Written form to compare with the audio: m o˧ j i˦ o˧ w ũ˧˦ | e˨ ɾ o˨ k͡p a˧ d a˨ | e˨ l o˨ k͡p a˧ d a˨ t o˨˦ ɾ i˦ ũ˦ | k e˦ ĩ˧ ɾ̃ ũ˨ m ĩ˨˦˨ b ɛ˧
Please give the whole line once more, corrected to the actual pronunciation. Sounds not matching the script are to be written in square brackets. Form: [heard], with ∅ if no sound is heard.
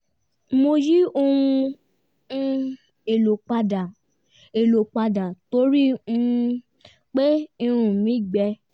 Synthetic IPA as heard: m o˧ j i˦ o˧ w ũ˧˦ | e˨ [l] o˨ k͡p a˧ d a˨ | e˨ l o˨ k͡p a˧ d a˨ t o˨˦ ɾ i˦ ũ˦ | [k͡p] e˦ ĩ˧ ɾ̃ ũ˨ m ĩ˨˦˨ [ɡ͡b] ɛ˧